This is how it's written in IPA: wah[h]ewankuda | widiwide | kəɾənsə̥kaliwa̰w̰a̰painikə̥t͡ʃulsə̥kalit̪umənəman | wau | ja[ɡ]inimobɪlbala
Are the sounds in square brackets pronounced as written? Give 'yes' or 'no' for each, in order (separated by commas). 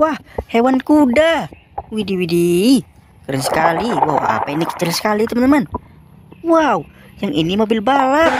yes, no